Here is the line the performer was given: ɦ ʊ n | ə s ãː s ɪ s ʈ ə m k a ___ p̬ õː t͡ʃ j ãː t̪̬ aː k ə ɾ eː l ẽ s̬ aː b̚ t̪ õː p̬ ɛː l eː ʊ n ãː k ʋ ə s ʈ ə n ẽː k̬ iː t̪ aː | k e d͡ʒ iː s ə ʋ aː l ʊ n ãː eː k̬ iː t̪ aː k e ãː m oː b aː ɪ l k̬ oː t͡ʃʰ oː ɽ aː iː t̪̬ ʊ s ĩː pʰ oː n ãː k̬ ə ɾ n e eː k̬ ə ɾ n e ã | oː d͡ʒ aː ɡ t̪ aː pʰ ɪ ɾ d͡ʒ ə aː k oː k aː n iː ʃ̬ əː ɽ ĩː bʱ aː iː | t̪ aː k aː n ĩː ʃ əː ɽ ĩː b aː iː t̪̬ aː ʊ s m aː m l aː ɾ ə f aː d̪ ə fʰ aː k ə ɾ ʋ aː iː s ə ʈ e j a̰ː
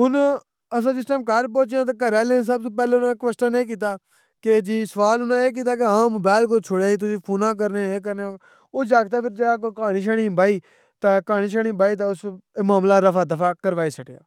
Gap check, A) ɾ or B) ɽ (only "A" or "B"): A